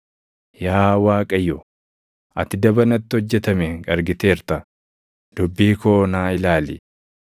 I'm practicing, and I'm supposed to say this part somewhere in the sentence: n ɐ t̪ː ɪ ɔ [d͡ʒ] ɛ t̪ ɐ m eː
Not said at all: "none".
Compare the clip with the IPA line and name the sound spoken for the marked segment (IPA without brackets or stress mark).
d͡ʒː